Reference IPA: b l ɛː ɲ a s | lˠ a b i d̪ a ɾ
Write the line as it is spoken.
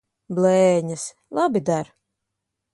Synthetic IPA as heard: b l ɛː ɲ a s | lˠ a b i d̪ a ɾ

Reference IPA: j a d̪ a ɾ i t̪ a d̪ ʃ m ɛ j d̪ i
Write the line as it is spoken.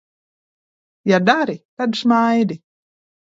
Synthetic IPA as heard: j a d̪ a ɾ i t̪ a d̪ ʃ m a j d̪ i

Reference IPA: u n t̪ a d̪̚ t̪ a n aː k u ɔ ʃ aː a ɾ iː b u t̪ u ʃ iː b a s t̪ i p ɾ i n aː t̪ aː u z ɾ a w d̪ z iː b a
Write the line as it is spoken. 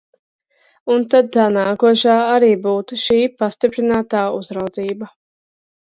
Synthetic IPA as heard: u n t̪ a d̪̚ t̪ a n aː k u ɔ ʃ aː a ɾ iː b uː t̪ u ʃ iː p a s t̪ i p ɾ i n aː t̪ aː u z ɾ a w d̪ z iː b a

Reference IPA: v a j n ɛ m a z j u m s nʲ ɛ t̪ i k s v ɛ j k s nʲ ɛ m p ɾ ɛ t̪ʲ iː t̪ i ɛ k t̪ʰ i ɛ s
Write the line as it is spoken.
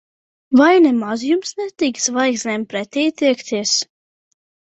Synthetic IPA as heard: v a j n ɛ m a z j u m s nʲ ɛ t̪ i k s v a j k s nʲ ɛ m p ɾ ɛ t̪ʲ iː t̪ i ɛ k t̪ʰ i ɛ s

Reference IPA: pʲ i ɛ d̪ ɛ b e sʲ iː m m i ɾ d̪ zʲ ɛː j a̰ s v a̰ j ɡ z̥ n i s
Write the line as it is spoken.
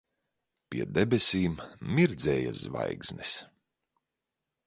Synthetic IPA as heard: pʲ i ɛ d̪ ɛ b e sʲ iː m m i ɾ d̪ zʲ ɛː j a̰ z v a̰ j ɡ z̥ n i s

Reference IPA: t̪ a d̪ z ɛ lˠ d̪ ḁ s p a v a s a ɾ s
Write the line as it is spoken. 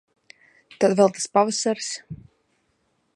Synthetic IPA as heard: t̪ a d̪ v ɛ lˠ t̪ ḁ s p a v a s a ɾ s

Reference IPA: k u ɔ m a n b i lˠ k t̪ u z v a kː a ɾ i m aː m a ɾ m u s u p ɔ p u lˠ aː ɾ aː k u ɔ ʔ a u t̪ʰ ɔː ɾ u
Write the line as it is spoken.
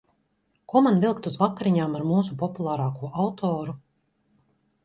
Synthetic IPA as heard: k u ɔ m a n v i lˠ k t̪ u z v a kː a ɾ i ɲ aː m a ɾ m uː s u p ɔ p u lˠ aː ɾ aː k u ɔ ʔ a w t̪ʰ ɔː ɾ u

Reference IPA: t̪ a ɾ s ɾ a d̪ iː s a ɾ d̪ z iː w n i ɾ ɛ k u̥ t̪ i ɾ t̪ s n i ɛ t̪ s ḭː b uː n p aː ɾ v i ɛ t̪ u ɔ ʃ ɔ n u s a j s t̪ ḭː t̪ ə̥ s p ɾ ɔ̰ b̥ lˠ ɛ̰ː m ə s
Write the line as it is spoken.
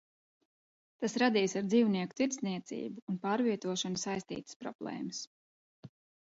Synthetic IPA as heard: t̪ a s ɾ a d̪ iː s a ɾ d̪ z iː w n i ɛ k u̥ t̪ i ɾ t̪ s n i ɛ t̪ s ḭː b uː n p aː ɾ v i ɛ t̪ u ɔ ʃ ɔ n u s a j s t̪ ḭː t̪ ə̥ s p ɾ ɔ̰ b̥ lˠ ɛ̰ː m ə s

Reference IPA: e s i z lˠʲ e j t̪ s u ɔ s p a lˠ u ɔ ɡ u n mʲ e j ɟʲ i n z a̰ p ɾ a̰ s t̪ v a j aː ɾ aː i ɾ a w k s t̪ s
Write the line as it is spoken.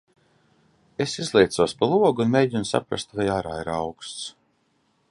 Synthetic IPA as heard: e s i z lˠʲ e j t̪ s u ɔ s p a lˠ u ɔ ɡ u n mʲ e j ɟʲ i n s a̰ p ɾ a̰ s t̪ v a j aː ɾ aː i ɾ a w k s t̪ s

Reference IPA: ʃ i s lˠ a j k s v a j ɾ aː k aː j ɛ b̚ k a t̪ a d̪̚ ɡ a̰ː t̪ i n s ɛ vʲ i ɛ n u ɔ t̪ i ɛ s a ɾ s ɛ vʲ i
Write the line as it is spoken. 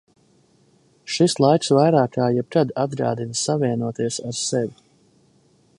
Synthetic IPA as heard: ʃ i s lˠ a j k s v a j ɾ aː k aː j ɛ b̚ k a d̪ a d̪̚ ɡ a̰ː d̪ i n s a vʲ i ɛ n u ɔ t̪ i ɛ s a ɾ s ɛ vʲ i

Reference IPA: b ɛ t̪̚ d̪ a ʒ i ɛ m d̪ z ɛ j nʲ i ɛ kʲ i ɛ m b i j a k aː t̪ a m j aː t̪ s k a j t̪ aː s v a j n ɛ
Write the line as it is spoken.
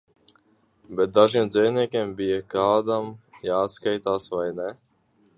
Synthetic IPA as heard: b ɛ t̪̚ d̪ a ʒ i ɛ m d̪ z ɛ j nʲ i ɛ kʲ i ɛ m b i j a k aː d̪ a m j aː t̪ s k a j t̪ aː s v a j n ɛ

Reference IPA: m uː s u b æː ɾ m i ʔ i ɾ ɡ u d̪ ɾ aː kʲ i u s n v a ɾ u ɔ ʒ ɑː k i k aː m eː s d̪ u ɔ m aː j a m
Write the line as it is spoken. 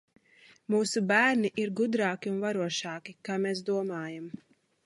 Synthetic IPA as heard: m uː s u b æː ɾ n i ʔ i ɾ ɡ u d̪ ɾ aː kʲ i u n v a ɾ u ɔ ʃ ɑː k i k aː m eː s d̪ u ɔ m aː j a m

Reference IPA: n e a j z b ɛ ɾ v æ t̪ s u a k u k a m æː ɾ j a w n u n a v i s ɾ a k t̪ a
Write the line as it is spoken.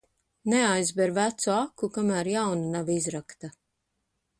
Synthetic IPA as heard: n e a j z b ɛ ɾ v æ t̪ s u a k u k a m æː ɾ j a w n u n a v i z ɾ a k t̪ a

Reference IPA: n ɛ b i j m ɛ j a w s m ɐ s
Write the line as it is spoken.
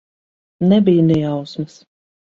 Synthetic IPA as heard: n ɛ b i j n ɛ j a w s m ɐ s

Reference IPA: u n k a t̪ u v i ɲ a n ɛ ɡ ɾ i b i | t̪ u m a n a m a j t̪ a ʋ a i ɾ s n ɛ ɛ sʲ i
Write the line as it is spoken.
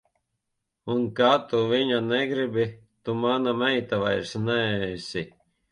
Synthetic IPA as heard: u n k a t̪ u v i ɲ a n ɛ ɡ ɾ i b i | t̪ u m a n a m ɛ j t̪ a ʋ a j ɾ s n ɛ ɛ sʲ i

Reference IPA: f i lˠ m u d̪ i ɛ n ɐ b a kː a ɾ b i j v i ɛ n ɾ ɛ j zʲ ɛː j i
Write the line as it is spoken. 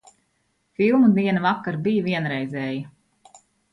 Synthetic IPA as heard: f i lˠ m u d̪ i ɛ n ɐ v a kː a ɾ b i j v i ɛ n ɾ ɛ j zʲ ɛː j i

